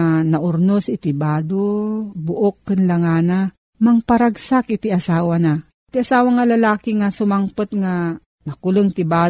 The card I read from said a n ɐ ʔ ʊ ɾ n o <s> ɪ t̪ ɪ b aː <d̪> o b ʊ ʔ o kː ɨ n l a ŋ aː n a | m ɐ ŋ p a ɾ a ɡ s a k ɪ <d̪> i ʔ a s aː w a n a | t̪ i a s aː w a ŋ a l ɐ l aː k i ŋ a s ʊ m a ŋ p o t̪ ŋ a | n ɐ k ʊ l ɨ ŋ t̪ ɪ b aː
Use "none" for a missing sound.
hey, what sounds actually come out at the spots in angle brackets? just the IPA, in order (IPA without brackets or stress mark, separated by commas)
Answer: s, d̪, t̪